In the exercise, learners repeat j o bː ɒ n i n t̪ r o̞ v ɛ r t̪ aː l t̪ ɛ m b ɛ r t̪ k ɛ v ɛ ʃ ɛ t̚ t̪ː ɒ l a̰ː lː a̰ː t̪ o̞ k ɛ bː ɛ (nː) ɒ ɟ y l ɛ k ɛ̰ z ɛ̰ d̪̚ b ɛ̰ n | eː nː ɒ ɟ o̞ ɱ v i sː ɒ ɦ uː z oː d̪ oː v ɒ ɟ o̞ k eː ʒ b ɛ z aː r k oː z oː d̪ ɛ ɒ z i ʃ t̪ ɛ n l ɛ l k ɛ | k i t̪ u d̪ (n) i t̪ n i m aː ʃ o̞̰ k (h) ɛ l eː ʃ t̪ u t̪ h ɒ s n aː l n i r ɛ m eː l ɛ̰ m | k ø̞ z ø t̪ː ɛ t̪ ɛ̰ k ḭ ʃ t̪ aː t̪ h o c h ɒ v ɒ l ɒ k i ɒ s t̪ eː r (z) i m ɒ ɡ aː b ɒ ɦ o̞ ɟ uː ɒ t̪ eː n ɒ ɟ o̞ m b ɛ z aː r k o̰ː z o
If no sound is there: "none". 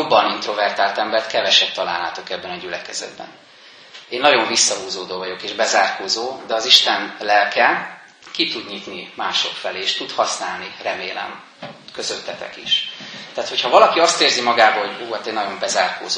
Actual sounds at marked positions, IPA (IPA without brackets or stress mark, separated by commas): n, ɲ, f, z